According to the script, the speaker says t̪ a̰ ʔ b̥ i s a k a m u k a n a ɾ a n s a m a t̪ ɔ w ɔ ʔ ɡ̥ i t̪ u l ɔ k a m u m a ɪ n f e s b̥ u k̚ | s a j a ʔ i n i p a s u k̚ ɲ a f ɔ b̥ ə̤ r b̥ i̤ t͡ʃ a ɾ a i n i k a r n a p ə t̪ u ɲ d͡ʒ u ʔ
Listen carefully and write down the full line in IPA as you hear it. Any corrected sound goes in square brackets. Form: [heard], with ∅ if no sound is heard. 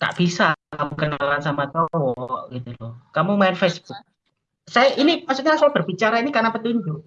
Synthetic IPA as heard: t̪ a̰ ʔ b̥ i s a k a m u k [ə] n a [l] a n s a m a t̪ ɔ w ɔ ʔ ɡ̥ i t̪ u l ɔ k a m u m a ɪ n f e s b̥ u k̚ | s a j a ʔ i n i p a s u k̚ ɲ a [s] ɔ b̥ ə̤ r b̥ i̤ t͡ʃ a ɾ a i n i k a r n a p ə t̪ u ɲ d͡ʒ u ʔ